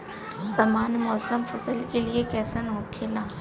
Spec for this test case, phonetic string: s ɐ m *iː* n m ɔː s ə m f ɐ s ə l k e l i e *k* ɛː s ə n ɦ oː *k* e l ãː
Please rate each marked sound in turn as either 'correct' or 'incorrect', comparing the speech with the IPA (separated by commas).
incorrect, correct, incorrect